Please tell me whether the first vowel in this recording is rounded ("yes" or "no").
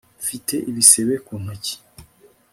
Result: no